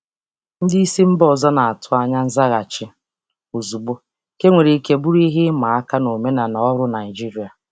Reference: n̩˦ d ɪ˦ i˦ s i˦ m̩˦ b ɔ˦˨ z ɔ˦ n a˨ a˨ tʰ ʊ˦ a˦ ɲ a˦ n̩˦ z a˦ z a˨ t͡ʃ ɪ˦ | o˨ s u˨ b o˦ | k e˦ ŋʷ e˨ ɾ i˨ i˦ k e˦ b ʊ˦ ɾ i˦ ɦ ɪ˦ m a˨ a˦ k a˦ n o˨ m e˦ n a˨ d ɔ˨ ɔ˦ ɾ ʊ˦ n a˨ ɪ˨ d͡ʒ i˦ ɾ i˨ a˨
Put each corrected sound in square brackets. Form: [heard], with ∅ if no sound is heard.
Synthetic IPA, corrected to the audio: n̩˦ d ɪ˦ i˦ s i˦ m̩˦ b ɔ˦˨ z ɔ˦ n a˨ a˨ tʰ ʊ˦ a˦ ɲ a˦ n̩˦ z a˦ [ɣ] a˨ t͡ʃ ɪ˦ | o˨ [z] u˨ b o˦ | k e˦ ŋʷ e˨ ɾ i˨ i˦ k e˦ b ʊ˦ ɾ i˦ ɦ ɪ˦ m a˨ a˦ k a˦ n o˨ m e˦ n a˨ [n] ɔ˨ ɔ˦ ɾ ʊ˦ n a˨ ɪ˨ d͡ʒ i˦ ɾ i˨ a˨